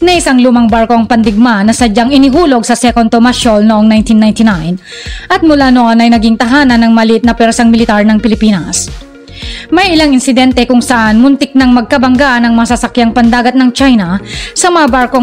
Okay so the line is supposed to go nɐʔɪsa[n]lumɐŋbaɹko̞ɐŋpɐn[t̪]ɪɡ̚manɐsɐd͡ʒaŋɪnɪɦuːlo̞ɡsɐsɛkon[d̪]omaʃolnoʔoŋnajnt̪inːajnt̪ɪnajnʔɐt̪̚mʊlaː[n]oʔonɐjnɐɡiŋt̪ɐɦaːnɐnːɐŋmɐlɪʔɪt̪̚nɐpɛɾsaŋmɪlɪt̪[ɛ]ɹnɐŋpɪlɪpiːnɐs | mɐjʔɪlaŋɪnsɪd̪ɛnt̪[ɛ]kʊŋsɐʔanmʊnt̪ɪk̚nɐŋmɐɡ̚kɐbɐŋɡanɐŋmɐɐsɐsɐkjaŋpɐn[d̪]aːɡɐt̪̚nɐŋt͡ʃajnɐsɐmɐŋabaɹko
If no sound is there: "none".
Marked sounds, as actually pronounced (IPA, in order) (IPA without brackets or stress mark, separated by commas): ŋ, d̪, t̪, n, a, ɛ, d̪